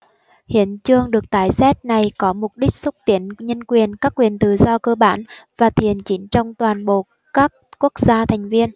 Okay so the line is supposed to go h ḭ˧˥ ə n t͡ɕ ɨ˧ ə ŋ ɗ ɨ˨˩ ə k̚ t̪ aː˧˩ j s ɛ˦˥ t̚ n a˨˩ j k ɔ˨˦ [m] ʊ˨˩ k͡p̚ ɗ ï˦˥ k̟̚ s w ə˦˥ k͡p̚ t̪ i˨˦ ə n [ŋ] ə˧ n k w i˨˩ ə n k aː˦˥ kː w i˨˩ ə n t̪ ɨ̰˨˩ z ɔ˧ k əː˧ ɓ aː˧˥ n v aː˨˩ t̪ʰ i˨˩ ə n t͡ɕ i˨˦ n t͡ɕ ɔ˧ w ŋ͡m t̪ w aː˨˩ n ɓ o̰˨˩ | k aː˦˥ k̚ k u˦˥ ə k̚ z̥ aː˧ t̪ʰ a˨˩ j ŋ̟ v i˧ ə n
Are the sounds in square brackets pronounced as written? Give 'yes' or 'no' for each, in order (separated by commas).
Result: yes, no